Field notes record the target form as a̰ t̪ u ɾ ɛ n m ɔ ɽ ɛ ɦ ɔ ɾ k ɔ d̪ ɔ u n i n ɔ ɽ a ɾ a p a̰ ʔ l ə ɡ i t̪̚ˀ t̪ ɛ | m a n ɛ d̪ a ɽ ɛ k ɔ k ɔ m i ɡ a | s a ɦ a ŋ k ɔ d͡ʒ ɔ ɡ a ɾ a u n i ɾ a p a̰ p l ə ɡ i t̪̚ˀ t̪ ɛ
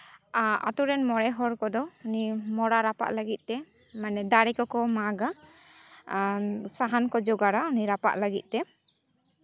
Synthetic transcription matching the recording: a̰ t̪ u ɾ ɛ n m ɔ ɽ ɛ ɦ ɔ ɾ k ɔ d̪ ɔ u n i m ɔ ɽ a ɾ a p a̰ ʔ l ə ɡ i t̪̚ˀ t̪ ɛ | m a n ɛ d̪ a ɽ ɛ k ɔ k ɔ m a ɡ a | s a ɦ a n k ɔ d͡ʒ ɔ ɡ a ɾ a u n i ɾ a p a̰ ʔ l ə ɡ i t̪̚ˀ t̪ ɛ